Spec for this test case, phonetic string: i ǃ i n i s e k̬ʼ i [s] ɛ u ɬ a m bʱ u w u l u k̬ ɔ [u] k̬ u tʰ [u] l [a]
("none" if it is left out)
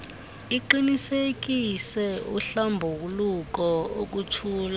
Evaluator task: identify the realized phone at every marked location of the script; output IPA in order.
s, o, uː, a

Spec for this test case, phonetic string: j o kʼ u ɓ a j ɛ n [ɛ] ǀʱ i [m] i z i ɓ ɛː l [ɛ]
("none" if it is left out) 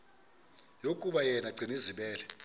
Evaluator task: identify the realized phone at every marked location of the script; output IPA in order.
a, n, ɛ

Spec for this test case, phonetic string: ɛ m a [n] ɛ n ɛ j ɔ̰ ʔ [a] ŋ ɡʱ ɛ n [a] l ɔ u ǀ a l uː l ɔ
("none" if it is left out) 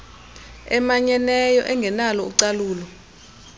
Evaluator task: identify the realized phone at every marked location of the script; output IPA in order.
ɲ, ɛ, a

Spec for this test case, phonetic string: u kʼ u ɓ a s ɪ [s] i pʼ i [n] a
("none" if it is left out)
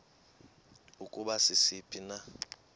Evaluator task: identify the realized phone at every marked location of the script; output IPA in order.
s, n

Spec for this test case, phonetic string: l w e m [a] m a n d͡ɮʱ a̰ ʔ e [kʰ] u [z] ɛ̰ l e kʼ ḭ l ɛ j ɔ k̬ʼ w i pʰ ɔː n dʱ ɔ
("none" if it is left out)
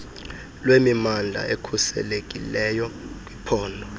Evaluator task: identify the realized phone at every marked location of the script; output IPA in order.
i, kʰ, s

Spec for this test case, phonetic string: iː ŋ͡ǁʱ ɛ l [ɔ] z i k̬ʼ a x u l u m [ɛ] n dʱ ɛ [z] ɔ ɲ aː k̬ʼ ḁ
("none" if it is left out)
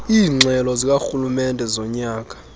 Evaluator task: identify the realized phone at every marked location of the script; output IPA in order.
ɔ, ɛ, z

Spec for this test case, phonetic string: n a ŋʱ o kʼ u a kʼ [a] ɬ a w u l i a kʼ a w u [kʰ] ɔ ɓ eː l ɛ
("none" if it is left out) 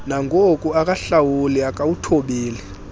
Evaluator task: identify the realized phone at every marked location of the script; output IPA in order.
a, tʰ

